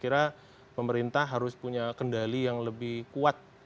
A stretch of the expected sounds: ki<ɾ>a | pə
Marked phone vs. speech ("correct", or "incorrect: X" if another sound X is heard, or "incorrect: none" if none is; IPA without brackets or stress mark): correct